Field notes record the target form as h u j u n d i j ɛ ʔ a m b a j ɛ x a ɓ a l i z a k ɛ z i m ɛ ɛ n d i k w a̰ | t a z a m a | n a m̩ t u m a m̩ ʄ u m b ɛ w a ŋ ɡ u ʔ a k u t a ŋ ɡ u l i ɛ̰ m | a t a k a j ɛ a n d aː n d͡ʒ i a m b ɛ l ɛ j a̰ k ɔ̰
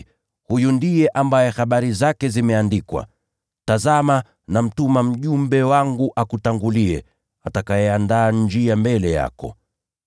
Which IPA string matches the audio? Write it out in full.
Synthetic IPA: h u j u n d i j ɛ ʔ a m b a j ɛ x a ɓ a ɾ i z a k ɛ z i m ɛ a n d i k w a̰ | t a z a m a | n a m̩ t u m a m̩ ʄ u m b ɛ w a ŋ ɡ u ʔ a k u t a ŋ ɡ u l i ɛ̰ | a t a k a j ɛ a n d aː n d͡ʒ i a m b ɛ l ɛ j a̰ k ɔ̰